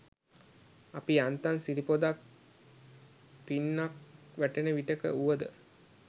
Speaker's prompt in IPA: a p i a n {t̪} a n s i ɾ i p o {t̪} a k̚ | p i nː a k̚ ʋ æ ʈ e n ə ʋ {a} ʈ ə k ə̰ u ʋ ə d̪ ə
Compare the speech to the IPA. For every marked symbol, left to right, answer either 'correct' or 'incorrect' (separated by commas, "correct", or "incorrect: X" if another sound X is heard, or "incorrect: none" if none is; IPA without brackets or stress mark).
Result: correct, incorrect: d̪, incorrect: i